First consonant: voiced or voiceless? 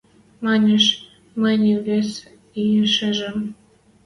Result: voiced